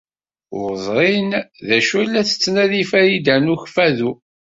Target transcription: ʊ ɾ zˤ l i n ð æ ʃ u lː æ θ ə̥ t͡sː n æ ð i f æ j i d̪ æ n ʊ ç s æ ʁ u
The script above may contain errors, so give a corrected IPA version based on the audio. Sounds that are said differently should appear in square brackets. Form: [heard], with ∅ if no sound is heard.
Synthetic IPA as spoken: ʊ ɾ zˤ [ɾ] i n ð æ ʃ u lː æ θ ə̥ t͡sː n æ ð i f æ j i d̪ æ n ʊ ç [f] æ [ð] u